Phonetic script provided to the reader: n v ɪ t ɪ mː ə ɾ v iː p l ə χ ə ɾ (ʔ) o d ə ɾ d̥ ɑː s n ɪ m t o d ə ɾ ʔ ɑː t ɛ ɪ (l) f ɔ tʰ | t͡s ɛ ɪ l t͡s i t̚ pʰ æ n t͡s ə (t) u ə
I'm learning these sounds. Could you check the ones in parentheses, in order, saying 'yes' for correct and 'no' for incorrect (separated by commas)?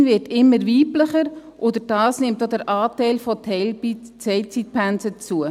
yes, yes, no